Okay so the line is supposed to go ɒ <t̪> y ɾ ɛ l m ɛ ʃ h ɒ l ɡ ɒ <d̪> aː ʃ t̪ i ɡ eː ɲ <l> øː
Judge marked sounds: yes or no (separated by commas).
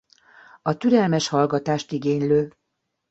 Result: yes, no, yes